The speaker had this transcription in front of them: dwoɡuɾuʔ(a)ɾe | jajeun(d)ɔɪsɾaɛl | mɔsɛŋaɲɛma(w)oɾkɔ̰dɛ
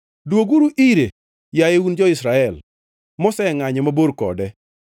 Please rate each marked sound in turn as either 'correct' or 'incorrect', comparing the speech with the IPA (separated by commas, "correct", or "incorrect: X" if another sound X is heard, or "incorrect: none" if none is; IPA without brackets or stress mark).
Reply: incorrect: i, incorrect: d͡ʒ, incorrect: b